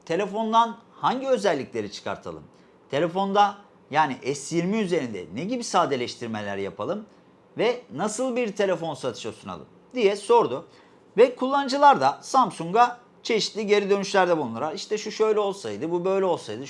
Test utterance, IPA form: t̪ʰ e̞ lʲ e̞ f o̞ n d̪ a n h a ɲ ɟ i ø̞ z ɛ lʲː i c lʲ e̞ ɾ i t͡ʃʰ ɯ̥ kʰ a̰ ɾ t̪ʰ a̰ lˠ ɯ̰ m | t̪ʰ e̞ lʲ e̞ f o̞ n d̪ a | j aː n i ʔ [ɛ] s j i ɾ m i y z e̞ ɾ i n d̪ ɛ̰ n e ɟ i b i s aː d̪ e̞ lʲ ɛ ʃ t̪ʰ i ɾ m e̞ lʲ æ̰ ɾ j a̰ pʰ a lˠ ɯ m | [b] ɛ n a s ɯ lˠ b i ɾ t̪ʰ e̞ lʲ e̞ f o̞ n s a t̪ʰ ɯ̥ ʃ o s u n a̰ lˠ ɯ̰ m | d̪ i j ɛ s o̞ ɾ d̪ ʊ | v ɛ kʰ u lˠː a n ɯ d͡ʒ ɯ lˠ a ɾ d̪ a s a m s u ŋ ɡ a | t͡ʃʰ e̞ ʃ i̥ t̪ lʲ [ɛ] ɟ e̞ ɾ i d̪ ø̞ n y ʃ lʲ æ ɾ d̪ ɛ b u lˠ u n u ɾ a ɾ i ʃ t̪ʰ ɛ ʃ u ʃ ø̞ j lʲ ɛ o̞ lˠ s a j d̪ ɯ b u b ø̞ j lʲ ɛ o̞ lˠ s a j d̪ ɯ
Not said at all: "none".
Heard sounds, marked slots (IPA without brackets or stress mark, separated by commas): ɛ, v, i